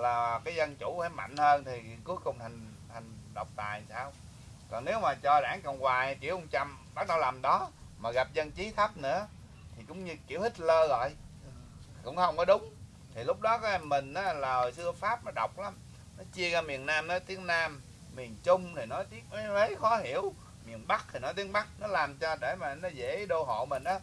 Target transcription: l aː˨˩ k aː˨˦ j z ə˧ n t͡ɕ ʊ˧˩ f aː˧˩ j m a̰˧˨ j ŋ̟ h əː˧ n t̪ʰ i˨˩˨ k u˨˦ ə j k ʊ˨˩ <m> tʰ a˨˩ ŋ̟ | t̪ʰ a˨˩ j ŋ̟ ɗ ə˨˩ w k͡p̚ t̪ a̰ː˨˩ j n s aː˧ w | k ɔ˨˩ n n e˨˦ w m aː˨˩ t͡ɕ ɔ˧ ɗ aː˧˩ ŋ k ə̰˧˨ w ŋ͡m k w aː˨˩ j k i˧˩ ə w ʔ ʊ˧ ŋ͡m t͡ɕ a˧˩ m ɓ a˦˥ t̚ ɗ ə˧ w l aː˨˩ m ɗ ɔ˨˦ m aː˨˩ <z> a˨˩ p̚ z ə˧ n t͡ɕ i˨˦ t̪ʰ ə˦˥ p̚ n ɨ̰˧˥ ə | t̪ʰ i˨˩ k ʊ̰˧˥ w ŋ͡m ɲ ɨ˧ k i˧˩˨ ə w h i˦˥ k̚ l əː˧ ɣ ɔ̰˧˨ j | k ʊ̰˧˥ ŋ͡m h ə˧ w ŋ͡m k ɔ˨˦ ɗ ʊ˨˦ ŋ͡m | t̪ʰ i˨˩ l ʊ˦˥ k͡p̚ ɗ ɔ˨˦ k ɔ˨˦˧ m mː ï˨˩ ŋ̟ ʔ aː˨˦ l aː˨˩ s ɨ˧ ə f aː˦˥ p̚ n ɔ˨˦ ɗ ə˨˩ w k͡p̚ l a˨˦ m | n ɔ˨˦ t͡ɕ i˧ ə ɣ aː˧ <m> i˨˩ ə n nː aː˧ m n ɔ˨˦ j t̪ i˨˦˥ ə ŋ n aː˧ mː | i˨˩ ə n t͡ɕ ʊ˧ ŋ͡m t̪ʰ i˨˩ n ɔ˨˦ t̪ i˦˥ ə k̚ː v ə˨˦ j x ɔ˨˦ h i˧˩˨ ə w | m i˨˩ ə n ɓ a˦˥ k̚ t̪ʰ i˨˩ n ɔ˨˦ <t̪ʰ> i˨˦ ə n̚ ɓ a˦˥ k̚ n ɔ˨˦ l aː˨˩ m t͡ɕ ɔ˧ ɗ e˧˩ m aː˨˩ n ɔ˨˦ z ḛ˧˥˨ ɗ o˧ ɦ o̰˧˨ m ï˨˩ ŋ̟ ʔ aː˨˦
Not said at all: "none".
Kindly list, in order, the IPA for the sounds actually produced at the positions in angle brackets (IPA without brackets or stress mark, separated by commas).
ŋ͡m, ɣ, m, t̪